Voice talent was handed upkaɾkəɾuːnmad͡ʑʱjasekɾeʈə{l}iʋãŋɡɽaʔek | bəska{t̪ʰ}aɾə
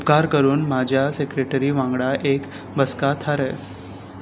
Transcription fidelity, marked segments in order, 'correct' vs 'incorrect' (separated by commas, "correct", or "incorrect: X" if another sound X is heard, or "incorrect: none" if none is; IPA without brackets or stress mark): incorrect: ɾ, correct